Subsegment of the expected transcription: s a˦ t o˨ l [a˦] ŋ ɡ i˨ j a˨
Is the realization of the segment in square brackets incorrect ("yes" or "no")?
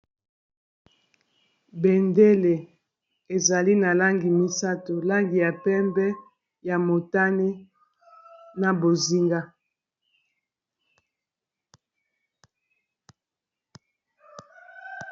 no